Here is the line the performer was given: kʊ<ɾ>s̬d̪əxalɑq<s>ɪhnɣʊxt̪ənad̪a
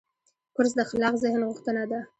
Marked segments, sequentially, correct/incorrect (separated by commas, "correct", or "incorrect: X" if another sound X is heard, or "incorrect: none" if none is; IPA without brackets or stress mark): correct, incorrect: z